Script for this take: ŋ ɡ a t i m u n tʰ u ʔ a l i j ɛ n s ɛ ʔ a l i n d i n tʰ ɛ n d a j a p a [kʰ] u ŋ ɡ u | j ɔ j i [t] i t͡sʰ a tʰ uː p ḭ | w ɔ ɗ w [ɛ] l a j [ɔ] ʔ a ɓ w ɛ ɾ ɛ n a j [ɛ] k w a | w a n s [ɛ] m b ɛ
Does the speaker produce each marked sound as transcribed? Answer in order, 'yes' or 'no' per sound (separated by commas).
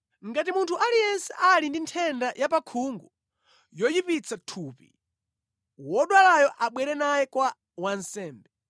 yes, no, no, yes, yes, no